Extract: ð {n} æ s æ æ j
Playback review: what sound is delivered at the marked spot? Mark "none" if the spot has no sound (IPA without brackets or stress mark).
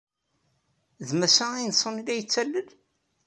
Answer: m